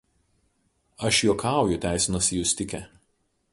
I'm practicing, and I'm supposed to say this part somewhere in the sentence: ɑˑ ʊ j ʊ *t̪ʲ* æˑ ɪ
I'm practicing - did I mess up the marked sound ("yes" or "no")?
no